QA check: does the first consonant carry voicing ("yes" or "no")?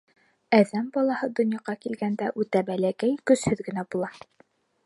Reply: yes